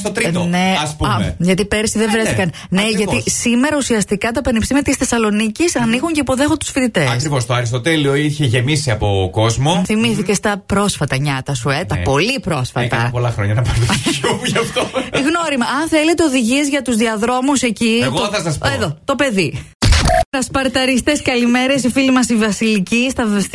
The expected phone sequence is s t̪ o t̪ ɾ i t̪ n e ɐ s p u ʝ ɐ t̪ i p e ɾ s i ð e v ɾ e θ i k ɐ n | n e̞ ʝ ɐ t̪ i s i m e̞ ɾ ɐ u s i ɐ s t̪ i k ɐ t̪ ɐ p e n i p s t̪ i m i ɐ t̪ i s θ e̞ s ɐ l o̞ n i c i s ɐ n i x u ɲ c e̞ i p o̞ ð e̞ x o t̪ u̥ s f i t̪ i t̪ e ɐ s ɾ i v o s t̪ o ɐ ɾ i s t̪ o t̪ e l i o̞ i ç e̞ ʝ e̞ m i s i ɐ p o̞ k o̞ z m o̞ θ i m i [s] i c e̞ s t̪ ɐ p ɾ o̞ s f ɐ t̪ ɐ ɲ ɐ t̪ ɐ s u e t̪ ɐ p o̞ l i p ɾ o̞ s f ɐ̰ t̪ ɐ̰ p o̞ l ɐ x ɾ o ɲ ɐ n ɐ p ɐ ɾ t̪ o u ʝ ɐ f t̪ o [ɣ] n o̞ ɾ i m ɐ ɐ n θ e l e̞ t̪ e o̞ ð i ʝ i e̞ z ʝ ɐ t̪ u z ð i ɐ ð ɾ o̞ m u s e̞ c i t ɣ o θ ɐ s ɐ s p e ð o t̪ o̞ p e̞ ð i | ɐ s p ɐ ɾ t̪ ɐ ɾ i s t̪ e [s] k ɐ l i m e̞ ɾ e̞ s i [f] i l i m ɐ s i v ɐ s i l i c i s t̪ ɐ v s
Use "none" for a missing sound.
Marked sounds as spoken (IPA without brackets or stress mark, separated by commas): θ, ɣ, s, f